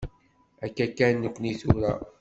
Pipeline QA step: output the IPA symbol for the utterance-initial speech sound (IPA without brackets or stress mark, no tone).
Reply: æ